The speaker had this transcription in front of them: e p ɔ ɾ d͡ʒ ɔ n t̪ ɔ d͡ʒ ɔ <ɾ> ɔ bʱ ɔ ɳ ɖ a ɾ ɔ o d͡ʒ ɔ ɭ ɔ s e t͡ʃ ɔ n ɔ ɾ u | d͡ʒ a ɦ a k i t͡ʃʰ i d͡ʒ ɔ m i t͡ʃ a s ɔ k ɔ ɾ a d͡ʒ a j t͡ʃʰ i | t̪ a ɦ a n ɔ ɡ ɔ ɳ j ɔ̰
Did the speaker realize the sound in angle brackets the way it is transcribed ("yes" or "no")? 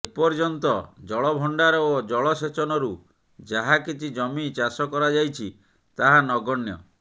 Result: no